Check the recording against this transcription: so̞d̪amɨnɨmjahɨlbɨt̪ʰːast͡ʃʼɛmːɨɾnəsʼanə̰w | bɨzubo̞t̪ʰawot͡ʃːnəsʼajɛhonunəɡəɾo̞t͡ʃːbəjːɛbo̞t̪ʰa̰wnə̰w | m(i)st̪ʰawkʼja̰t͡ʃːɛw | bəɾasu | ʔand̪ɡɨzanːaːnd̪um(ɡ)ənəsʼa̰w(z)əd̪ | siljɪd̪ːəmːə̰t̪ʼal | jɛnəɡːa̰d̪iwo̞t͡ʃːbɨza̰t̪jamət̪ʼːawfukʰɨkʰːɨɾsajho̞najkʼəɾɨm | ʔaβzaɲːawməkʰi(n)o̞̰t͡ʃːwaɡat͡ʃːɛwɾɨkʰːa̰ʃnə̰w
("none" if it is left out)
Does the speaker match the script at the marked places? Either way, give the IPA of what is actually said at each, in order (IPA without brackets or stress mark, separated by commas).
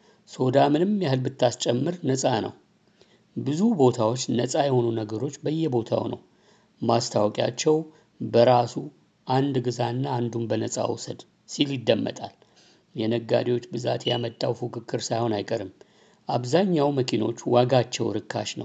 a, b, s, n